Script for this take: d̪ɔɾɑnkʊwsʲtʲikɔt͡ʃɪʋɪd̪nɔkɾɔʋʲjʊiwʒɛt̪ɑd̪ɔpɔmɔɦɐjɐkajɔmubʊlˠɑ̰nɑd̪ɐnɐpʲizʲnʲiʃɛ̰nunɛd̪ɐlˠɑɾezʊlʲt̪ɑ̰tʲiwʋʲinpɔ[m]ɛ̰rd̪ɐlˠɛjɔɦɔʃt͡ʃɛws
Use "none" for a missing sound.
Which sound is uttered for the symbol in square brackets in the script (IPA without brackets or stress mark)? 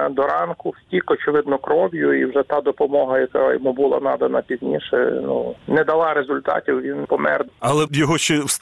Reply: m